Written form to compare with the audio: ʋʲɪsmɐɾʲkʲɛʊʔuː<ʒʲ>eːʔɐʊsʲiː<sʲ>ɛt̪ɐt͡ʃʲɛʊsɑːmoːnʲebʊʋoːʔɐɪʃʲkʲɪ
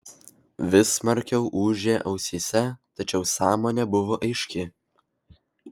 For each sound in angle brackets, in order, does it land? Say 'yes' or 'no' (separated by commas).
yes, yes